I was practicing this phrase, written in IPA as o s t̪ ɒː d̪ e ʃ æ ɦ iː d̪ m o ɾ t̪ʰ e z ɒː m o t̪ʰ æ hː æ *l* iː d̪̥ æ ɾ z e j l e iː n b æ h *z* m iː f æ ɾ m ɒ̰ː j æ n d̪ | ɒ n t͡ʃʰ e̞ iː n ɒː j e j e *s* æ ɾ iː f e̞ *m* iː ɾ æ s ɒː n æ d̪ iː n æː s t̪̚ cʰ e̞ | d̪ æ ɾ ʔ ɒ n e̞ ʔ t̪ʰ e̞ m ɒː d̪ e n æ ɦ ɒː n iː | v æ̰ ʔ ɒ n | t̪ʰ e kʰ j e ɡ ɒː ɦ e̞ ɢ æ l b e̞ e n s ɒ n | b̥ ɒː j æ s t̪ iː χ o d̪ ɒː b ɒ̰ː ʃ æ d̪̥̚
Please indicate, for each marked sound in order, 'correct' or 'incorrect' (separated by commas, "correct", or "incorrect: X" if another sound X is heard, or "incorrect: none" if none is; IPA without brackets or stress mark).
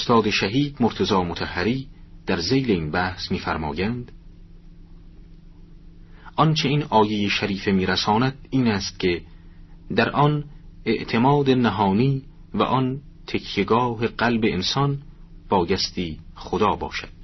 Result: incorrect: ɾ, incorrect: s, incorrect: ʃ, correct